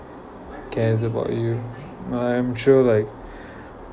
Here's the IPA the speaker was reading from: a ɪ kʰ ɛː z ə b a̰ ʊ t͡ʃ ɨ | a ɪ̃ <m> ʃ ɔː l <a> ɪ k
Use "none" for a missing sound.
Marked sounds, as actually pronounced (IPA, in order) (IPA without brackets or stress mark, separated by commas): m, a